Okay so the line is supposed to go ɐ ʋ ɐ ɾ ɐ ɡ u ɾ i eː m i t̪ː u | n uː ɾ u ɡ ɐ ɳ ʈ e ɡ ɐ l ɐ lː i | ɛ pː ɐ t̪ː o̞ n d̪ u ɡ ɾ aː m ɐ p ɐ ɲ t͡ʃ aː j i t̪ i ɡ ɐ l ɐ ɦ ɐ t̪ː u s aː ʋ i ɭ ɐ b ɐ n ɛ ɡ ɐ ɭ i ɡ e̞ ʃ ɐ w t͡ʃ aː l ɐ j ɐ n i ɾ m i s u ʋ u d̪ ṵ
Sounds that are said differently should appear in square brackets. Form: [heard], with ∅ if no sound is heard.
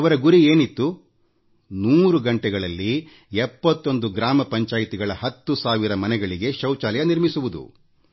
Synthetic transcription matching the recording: ɐ ʋ ɐ ɾ ɐ ɡ u ɾ i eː [n] i t̪ː u | n uː ɾ u ɡ ɐ ɳ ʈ [ɛ] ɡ ɐ [ɭ] ɐ lː i | ɛ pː ɐ t̪ː o̞ n d̪ u ɡ ɾ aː m ɐ p ɐ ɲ t͡ʃ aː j i t̪ i ɡ ɐ [ɭ] ɐ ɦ ɐ t̪ː u s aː ʋ i [ɾ] ɐ [m] ɐ n ɛ ɡ ɐ ɭ i ɡ e̞ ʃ ɐ w t͡ʃ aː l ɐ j ɐ n i ɾ m i s u ʋ u d̪ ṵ